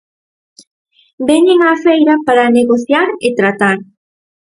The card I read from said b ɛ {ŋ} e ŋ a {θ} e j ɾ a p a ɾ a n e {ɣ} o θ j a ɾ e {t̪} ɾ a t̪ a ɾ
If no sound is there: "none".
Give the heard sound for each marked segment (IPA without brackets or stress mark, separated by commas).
ɲ, f, ɣ, t̪